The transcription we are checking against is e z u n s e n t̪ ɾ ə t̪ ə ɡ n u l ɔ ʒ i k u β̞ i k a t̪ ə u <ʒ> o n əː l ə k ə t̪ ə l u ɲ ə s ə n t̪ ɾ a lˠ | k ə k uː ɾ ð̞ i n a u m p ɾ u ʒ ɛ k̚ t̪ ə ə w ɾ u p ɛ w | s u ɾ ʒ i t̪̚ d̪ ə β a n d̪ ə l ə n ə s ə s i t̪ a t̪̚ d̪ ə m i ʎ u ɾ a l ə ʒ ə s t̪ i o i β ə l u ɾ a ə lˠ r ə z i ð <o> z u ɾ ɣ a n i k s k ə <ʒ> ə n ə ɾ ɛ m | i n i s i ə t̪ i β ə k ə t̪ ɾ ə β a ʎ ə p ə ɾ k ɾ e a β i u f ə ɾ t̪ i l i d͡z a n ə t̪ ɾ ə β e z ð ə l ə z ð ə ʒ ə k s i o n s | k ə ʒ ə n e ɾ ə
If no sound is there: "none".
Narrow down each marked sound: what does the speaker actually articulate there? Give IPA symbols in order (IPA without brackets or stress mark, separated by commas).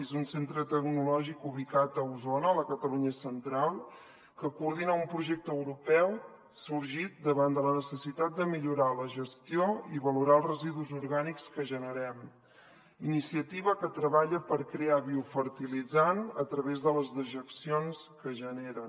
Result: z, u, ʒ